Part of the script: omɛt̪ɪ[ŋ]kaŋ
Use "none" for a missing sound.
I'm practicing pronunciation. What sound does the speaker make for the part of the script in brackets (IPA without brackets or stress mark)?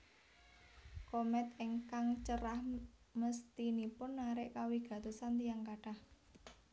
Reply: ŋ